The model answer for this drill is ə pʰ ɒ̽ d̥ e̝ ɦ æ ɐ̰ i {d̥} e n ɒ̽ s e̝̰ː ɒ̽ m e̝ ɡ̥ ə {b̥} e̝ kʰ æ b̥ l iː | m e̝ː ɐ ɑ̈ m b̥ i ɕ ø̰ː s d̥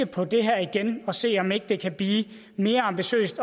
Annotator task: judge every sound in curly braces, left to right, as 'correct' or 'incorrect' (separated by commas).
incorrect, incorrect